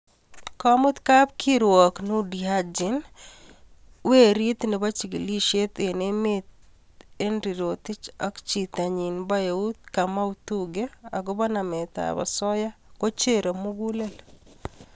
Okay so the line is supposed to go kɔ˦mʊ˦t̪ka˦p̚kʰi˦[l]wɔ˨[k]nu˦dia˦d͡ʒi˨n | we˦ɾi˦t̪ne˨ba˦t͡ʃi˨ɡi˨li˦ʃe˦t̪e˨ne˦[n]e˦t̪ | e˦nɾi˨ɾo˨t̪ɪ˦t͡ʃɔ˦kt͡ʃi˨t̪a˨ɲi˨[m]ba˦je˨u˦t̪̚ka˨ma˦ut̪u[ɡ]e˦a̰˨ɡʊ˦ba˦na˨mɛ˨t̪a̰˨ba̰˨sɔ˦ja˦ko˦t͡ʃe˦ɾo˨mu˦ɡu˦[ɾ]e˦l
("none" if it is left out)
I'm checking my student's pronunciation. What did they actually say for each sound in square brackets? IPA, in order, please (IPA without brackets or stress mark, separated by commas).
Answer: ɾ, k, m, n, ɡ, l